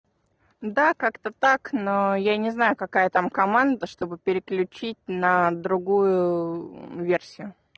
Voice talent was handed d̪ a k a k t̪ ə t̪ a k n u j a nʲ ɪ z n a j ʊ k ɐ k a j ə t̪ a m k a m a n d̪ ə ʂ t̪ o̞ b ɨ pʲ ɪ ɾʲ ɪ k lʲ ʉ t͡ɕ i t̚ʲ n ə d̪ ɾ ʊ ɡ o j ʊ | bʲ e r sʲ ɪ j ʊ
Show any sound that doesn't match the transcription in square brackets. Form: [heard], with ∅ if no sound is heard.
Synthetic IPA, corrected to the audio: d̪ a k a k t̪ ə t̪ a k n [o] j a nʲ ɪ z n a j ʊ k ɐ k a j ə t̪ a m k [ɐ] m a n d̪ ə ʂ t̪ o̞ b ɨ pʲ ɪ ɾʲ ɪ k lʲ ʉ t͡ɕ i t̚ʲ n ə d̪ ɾ ʊ ɡ [u] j ʊ | [vʲ] e r sʲ ɪ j ʊ